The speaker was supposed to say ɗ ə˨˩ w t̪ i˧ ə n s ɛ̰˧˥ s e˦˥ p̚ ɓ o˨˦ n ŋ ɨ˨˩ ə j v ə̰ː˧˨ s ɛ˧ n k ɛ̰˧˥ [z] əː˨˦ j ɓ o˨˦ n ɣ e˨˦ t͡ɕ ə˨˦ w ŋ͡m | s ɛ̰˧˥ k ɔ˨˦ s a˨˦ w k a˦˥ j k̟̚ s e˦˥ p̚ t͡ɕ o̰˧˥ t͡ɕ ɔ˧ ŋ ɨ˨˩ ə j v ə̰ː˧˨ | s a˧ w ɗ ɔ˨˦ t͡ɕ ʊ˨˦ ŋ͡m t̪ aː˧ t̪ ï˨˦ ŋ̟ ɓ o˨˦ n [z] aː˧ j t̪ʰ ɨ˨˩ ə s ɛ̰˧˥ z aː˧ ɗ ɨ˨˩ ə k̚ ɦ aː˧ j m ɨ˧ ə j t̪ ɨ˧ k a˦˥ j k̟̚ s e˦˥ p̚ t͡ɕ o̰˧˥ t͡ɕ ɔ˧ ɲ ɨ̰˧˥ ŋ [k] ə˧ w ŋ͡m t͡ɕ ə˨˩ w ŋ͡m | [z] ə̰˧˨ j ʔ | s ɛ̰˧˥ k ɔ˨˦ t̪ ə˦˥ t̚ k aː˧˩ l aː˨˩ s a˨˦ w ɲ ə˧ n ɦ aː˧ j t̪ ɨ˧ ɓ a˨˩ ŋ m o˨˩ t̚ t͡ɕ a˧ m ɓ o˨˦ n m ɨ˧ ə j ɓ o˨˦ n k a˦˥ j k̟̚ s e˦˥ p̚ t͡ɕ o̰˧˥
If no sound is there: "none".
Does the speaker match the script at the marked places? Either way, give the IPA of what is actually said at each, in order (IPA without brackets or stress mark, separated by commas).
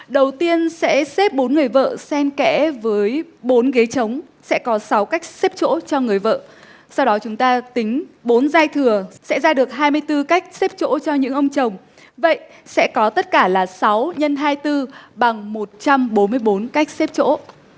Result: v, z, ʔ, v